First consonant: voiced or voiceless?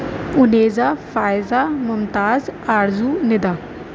voiced